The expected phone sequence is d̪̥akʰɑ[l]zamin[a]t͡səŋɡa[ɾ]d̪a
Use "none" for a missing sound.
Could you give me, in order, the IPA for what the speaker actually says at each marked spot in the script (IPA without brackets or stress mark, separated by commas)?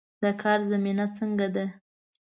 ɾ, a, none